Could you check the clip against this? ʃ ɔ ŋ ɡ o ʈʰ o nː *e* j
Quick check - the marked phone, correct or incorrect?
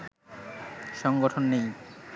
correct